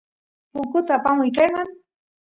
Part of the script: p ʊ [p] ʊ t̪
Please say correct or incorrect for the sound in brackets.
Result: incorrect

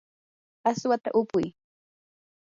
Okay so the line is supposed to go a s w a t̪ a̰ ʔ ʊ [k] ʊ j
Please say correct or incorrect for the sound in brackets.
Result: incorrect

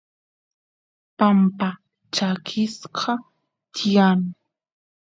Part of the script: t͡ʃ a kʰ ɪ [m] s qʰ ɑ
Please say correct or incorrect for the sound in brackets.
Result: incorrect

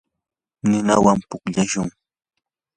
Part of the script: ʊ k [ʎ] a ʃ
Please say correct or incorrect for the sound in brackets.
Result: correct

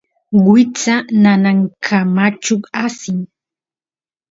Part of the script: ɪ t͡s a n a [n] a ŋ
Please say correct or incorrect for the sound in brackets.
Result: correct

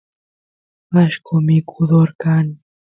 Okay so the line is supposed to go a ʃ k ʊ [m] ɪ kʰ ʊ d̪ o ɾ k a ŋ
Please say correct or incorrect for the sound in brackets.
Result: correct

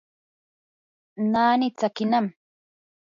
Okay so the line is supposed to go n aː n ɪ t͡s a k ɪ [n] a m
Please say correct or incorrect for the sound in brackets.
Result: correct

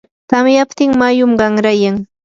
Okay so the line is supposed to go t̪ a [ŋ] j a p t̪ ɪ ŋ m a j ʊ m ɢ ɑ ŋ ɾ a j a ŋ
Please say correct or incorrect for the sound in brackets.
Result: incorrect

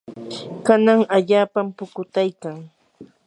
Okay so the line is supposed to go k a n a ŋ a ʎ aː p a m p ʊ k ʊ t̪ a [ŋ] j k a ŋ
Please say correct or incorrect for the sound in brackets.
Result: incorrect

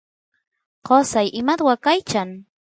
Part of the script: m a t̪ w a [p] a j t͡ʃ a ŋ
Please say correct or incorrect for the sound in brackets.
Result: incorrect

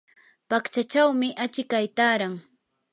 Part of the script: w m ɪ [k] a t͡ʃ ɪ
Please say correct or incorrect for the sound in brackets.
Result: incorrect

